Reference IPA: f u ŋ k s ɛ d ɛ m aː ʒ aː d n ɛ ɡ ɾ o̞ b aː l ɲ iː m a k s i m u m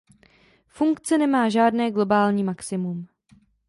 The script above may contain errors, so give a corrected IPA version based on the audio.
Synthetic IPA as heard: f u ŋ k t͡s ɛ n ɛ m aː ʒ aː d n ɛː ɡ l o̞ b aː l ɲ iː m a k s ɪ m u m